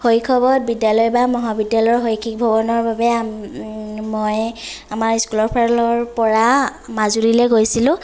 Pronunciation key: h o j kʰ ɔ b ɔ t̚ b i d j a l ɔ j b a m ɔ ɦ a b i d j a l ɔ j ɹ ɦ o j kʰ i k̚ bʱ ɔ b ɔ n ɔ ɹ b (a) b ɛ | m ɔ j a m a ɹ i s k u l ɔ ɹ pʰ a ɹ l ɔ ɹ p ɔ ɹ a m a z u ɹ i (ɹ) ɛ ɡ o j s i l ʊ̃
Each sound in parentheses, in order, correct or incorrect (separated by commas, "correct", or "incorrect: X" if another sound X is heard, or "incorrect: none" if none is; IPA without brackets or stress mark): correct, incorrect: l